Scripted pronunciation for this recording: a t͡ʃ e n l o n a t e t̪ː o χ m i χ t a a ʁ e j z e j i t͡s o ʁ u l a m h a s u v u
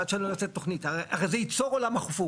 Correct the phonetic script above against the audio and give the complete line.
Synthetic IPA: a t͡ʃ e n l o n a t͡s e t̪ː o χ n i t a a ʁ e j z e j i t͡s o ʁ o l a m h a χ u f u

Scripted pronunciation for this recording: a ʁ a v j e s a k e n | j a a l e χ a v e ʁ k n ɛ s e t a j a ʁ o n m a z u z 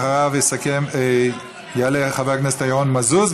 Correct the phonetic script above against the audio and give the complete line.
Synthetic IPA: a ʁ a v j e s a k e m | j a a l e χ a v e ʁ k n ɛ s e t a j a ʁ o n m a z u z

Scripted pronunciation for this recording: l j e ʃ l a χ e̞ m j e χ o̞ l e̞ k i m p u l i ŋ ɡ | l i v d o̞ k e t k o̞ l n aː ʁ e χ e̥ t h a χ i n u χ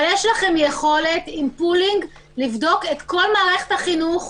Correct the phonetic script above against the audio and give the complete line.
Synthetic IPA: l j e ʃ l a χ e̞ m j e χ o̞ l e̞ t i m p u l i ŋ ɡ | l i v d o̞ k e t k o̞ l m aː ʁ e χ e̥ t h a χ i n u χ

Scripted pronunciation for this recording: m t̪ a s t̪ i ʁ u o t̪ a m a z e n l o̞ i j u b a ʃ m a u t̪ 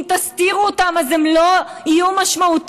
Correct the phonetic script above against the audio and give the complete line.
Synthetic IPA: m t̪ a s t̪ i ʁ u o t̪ a m a z e m l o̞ i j u m a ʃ m a u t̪

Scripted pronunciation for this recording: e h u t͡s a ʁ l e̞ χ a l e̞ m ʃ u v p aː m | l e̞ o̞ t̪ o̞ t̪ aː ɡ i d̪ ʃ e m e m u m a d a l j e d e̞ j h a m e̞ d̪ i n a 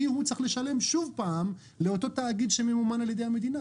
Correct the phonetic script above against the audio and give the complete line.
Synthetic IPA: i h u t͡s a χ l e̞ ʃ a l e̞ m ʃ u v p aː m | l e̞ o̞ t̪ o̞ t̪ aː ɡ i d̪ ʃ e m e m u m a n a l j e d e̞ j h a m e̞ d̪ i n a

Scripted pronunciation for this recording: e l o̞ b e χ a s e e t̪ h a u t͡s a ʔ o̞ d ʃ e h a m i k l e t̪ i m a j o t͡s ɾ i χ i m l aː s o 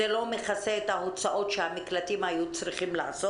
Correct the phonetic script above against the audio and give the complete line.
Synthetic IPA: e l o̞ m e χ a s e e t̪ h a o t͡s a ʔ o̞ t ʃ e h a m i k l a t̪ i m a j u t͡s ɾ i χ i m l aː s o

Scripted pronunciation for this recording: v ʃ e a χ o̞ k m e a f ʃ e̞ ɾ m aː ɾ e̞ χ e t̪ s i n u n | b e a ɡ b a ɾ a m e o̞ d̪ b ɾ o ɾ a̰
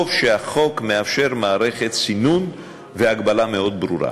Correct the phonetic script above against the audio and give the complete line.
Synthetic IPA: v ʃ e a χ o̞ k m e a f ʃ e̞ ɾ m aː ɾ e̞ χ e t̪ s i n u n | v e a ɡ b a l a m e o̞ d̪ b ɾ u ɾ a̰

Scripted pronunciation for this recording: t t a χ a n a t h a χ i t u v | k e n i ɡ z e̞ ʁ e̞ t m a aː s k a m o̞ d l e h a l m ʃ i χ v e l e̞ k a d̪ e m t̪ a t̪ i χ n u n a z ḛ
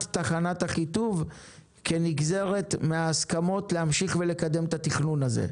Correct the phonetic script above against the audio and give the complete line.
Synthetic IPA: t t a χ a n a t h a χ i t u v | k e n i ɡ z e̞ ʁ e̞ t m e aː s k a m o̞ t l e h a m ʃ i χ v e l e̞ k a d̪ e m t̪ a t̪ i χ n u n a z ḛ

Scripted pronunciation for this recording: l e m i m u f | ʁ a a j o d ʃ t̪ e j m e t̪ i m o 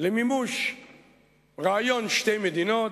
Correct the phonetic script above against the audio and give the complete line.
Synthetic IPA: l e m i m u ʃ | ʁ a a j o n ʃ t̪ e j m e d̪ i n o

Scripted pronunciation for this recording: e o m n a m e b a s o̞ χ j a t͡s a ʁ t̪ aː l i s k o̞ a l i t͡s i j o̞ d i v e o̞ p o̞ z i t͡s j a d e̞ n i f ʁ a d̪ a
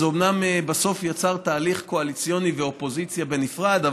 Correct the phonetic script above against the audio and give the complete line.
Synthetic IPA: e o m n a m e b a s o̞ f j a t͡s a ʁ t̪ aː l i χ k o̞ a l i t͡s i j o̞ n i v e o̞ p o̞ z i t͡s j a b e̞ n i f ʁ a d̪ a

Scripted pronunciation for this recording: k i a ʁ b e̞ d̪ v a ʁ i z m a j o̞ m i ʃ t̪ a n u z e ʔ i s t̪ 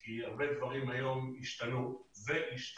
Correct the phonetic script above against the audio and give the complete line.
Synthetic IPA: k i a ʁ b e̞ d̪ v a ʁ i m a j o̞ m i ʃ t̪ a n u z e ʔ i ʃ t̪

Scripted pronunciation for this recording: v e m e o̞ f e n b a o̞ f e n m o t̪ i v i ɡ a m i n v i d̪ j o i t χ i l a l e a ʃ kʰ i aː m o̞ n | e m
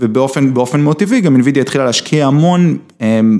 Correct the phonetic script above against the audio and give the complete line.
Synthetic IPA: v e b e o̞ f e n b e o̞ f e n m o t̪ i v i ɡ a m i n v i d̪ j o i t χ i l a l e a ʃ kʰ i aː m o̞ n | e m

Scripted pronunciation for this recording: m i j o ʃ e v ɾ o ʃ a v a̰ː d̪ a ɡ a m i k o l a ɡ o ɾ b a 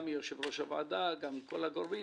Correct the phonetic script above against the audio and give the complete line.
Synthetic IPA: m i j o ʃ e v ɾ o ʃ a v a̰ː d̪ a ɡ a m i k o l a ɡ o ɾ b i

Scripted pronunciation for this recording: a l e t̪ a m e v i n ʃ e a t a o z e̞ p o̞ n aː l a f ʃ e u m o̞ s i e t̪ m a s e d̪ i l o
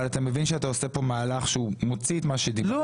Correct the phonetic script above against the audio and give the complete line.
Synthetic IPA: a l a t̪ a m e v i n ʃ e a t a o s e̞ p o̞ m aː l a χ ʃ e u m o̞ t͡s i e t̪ m a ʃ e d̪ i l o

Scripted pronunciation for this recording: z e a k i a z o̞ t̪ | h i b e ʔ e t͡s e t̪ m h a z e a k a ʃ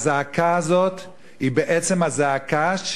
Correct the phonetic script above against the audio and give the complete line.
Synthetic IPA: z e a k a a z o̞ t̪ | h i b e ʔ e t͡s e m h a z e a k a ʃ

